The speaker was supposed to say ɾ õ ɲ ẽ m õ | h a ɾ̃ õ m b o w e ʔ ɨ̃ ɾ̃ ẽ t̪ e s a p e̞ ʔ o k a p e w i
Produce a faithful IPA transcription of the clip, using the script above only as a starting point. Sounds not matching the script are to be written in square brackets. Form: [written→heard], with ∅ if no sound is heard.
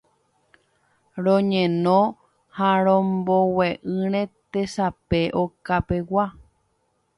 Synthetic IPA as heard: ɾ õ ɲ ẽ [m→n] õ | h a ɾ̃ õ m b o w e ʔ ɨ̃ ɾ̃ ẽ t̪ e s a p e̞ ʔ o k a p e w [i→a]